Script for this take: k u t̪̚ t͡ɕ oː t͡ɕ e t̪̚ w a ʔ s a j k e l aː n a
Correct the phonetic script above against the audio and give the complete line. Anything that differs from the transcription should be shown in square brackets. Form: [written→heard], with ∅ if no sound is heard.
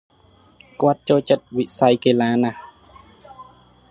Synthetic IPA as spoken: k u t̪̚ t͡ɕ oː t͡ɕ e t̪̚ w [a→i] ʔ s a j k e l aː n a